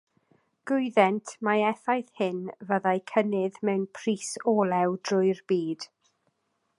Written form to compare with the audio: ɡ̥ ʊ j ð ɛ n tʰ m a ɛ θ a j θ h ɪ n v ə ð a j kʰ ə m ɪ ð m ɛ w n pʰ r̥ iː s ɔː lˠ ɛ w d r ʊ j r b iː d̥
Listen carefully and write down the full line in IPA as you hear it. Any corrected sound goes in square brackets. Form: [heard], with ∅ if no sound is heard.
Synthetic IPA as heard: ɡ̥ ʊ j ð ɛ n tʰ m a ɛ θ a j θ h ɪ n v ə ð a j kʰ ə [n] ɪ ð m ɛ w n pʰ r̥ iː s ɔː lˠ ɛ w d r ʊ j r b iː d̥